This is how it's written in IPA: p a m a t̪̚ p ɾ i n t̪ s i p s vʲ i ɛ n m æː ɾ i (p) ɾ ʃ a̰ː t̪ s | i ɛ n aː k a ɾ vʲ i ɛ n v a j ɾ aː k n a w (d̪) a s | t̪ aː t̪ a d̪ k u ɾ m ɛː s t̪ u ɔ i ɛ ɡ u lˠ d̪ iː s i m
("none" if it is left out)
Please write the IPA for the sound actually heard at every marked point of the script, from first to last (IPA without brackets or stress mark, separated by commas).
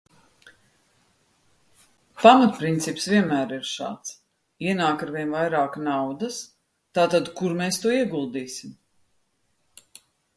none, d̪